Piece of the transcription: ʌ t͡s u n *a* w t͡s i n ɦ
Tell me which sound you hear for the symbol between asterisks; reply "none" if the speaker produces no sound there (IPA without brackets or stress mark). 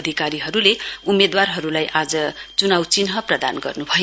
a